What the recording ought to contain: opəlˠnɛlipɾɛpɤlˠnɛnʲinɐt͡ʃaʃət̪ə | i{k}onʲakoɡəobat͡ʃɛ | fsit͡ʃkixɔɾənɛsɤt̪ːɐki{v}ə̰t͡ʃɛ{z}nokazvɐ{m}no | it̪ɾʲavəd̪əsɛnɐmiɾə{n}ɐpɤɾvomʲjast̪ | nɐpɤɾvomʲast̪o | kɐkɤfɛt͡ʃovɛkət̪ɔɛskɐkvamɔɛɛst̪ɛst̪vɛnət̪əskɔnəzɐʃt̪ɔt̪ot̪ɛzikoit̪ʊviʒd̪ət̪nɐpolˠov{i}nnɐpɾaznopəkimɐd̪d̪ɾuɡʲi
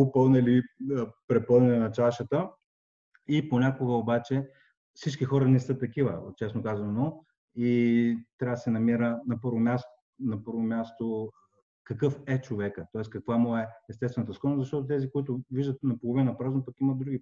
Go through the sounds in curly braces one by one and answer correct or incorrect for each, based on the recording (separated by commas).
incorrect, correct, incorrect, incorrect, correct, correct